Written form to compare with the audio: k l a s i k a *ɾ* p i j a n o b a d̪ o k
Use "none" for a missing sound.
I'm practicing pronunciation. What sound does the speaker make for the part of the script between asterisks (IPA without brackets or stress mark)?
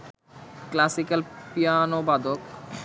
l